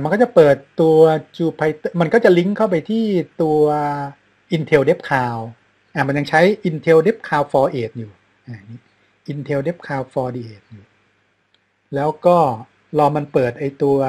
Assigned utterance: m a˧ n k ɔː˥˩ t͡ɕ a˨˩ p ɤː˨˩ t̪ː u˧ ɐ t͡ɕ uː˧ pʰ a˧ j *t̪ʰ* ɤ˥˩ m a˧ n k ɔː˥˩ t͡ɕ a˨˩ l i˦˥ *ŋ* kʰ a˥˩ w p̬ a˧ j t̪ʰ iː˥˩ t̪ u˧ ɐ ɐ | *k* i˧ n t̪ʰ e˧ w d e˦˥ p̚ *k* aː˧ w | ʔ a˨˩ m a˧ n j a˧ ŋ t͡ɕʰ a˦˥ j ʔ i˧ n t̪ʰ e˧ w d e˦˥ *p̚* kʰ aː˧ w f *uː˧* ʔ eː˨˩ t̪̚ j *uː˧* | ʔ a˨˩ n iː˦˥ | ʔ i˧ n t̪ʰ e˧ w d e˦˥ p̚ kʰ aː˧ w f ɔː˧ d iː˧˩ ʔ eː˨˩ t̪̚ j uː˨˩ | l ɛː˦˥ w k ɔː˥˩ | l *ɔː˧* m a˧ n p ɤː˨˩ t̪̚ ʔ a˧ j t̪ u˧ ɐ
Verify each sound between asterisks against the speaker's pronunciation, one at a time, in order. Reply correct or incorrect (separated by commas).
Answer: incorrect, correct, incorrect, incorrect, correct, incorrect, incorrect, correct